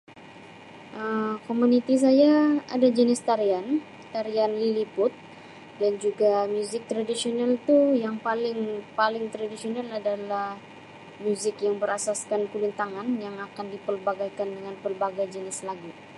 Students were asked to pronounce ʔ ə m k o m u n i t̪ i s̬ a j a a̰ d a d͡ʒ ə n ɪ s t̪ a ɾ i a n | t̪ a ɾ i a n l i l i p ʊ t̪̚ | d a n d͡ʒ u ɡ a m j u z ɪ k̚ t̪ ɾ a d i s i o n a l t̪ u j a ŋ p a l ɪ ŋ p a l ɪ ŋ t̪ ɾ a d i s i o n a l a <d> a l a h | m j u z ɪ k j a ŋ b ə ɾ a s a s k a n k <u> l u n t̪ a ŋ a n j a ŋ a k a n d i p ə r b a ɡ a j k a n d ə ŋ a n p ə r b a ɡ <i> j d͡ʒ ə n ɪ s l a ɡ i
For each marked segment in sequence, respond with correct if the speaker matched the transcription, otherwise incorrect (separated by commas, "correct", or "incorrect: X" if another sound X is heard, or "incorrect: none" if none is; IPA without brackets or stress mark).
correct, correct, incorrect: a